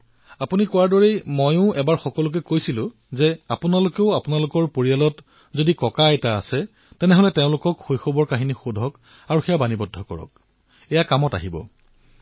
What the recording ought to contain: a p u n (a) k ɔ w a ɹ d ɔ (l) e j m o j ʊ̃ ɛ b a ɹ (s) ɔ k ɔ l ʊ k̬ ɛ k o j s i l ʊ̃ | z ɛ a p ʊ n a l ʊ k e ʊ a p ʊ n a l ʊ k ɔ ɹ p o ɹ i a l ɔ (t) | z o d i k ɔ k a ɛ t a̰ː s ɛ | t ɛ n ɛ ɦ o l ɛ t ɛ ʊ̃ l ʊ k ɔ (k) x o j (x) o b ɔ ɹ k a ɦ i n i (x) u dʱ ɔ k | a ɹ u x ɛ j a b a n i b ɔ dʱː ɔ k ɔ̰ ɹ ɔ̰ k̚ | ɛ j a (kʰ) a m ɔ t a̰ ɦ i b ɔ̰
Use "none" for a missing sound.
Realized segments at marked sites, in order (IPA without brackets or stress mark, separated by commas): i, ɹ, x, t, k, x, x, k